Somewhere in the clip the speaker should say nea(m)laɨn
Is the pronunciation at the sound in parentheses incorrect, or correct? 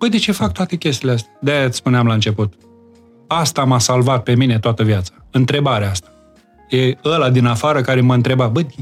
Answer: correct